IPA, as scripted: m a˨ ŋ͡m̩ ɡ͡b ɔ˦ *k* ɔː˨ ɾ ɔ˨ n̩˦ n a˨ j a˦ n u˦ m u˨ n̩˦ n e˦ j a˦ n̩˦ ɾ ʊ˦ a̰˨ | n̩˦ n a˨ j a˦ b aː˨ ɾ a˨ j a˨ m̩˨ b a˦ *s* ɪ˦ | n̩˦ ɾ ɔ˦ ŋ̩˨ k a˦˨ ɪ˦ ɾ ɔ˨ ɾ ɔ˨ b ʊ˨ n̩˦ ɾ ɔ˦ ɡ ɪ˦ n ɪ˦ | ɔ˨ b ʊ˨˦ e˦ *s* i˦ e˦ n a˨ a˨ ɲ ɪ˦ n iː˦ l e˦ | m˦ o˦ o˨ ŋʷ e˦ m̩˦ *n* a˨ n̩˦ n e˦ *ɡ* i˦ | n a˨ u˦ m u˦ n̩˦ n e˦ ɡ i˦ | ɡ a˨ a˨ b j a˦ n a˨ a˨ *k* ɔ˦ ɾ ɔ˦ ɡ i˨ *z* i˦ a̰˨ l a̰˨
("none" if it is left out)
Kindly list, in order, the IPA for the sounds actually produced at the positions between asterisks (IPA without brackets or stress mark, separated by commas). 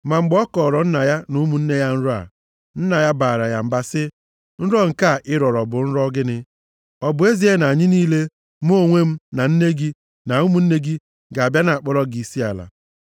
k, s, z, n, ɡ, k͡p, s